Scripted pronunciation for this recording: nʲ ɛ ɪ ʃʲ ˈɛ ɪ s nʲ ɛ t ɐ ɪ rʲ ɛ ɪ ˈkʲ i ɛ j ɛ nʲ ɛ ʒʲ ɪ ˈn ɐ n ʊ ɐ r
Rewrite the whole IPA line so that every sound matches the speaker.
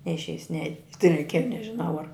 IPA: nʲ ɛ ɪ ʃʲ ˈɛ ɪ s nʲ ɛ t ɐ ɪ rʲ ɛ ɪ ˈkʲ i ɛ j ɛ nʲ ɛ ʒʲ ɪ ˈn ɐ ʊ ɐ r